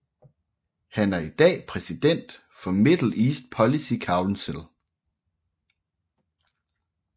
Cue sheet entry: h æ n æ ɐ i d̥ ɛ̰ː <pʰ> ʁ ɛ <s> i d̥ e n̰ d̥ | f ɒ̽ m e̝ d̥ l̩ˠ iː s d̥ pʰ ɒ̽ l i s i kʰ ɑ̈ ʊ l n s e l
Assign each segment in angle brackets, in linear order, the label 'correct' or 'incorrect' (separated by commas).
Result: correct, correct